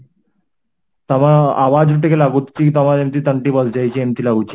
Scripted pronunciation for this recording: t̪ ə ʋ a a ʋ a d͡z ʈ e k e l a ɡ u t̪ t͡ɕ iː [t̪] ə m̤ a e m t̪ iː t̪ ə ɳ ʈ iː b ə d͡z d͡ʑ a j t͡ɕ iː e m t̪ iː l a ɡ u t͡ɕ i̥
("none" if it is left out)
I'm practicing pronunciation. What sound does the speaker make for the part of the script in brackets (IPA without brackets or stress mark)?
t̪